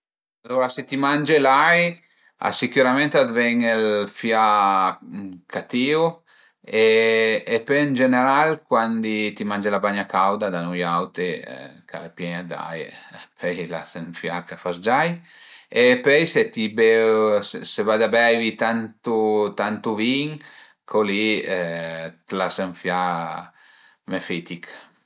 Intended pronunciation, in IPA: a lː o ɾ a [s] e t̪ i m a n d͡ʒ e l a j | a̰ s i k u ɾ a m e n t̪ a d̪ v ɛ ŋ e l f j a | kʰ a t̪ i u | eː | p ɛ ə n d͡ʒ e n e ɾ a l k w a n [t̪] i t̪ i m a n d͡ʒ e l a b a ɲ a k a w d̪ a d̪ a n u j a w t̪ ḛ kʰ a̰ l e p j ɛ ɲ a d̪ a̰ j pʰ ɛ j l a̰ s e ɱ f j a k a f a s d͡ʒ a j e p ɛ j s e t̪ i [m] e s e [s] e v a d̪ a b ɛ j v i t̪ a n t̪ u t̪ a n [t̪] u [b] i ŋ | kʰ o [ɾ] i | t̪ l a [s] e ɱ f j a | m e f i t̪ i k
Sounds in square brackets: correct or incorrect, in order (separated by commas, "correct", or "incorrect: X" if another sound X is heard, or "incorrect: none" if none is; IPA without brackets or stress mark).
correct, incorrect: d̪, incorrect: b, correct, correct, incorrect: v, incorrect: l, correct